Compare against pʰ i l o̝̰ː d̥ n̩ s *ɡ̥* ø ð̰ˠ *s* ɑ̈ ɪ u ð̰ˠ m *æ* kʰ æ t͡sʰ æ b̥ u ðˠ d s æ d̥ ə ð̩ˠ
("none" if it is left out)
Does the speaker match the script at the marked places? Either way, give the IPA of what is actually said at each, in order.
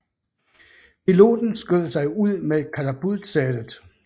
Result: ɡ̥, s, e

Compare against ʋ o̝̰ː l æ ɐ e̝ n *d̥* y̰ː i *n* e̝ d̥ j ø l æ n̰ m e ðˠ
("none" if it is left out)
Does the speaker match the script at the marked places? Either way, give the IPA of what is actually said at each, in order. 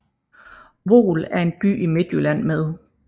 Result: b̥, m

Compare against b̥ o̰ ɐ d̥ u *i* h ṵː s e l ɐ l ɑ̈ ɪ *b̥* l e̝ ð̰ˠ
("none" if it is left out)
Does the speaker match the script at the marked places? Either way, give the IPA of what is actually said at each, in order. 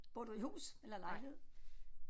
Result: i, none

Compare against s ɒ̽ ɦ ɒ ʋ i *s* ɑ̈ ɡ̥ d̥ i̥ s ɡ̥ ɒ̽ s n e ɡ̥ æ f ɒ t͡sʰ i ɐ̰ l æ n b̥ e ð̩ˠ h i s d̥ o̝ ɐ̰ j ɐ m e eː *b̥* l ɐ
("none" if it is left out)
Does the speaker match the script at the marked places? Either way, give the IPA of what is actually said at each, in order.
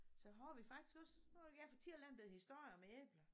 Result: f, b̥

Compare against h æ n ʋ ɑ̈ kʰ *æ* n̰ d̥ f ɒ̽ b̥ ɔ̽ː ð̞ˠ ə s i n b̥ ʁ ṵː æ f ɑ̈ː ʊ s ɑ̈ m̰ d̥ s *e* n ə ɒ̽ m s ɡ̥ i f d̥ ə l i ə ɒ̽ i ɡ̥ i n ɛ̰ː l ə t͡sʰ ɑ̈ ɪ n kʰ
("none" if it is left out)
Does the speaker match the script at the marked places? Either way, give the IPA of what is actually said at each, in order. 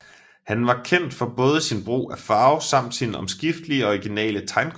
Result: e, i

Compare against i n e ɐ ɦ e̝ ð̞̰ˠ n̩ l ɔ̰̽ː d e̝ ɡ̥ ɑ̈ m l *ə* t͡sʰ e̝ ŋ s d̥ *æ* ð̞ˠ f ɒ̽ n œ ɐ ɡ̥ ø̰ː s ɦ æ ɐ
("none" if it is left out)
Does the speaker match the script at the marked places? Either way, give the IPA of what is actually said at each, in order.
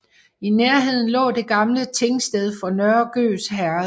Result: ə, e

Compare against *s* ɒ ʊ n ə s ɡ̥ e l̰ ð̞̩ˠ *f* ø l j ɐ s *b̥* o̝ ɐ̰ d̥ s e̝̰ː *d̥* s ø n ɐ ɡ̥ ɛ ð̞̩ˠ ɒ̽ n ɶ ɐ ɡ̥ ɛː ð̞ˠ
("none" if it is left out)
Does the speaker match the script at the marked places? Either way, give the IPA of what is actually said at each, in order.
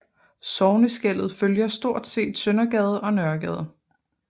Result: s, f, d̥, d̥

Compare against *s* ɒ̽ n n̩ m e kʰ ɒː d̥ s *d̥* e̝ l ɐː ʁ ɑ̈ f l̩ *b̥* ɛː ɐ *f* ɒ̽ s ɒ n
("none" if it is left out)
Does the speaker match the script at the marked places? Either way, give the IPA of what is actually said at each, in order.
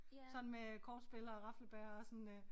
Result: s, b̥, b̥, none

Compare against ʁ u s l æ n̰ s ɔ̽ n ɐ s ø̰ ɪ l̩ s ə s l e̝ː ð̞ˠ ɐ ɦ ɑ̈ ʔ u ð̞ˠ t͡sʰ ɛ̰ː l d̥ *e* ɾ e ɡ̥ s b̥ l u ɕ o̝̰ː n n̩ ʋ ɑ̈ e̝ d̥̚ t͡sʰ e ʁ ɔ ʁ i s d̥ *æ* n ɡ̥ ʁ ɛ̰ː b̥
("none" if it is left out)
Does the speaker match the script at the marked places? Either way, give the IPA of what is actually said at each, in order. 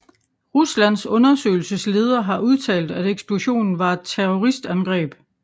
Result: æ, æ

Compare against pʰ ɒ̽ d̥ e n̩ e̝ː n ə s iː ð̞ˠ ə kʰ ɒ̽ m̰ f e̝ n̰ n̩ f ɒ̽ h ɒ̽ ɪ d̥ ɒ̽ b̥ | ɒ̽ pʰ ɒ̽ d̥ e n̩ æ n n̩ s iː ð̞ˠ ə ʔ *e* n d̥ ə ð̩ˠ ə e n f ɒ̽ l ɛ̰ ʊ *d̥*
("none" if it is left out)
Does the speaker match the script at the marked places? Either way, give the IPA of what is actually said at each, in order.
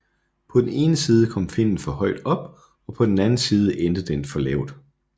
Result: e, d̥

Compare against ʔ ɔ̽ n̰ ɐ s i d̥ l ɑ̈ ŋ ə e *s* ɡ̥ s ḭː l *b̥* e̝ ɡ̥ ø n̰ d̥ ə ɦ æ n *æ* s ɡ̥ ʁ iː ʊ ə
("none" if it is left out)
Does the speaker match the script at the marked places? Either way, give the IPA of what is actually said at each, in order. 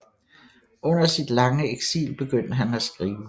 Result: none, b̥, æ

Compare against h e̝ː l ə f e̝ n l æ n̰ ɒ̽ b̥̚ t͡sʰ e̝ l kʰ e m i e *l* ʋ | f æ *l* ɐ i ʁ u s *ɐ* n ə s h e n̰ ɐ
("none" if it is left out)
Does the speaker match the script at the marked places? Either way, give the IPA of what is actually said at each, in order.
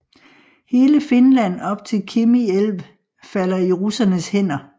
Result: l, l, ɐ

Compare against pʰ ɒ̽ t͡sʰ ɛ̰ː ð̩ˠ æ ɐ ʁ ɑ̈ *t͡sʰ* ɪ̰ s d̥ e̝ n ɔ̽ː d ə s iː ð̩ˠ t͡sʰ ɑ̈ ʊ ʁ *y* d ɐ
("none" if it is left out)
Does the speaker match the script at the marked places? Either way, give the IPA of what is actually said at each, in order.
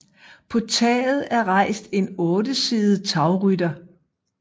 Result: none, y

